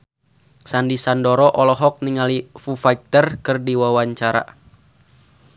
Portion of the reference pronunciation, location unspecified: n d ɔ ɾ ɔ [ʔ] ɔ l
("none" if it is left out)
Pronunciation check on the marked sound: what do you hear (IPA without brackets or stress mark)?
ʔ